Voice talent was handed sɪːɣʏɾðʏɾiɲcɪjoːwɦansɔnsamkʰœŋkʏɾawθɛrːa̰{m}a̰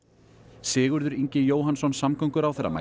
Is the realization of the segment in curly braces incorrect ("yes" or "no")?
no